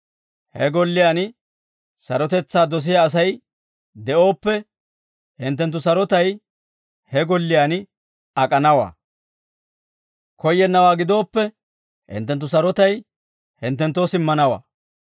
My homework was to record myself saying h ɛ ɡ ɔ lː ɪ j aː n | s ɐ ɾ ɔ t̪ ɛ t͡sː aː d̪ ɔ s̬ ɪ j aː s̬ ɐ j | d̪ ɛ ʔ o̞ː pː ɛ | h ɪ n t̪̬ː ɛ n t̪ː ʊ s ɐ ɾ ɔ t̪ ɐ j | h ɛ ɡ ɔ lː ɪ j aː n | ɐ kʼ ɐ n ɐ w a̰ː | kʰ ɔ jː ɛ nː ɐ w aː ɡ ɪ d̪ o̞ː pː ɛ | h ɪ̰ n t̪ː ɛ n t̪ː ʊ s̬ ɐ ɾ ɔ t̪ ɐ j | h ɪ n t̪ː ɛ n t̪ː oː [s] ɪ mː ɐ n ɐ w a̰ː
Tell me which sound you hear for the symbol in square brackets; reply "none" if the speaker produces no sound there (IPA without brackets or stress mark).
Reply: s